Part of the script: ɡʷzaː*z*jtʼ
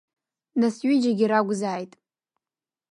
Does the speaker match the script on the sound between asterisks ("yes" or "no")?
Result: no